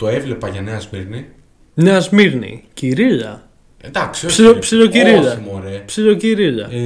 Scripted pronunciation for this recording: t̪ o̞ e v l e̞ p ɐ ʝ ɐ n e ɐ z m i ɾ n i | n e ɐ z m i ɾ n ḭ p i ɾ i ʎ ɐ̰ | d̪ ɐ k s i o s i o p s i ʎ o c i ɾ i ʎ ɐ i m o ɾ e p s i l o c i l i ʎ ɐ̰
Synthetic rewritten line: t̪ o̞ e v l e̞ p ɐ ʝ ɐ n e ɐ z m i ɾ n i | n e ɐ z m i ɾ n ḭ c i ɾ i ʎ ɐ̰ | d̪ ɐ k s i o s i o p s i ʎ o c i ɾ i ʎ ɐ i m o ɾ e p s i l o c i ɾ i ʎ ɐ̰